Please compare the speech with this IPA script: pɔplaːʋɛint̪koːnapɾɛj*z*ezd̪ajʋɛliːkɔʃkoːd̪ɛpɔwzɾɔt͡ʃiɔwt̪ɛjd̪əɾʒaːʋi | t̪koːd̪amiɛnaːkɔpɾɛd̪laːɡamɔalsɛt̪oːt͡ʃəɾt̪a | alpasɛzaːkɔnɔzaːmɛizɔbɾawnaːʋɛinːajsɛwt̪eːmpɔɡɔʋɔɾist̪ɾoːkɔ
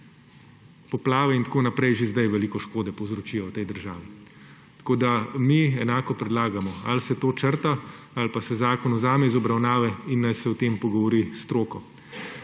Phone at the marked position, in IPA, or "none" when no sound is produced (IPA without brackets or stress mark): ʒ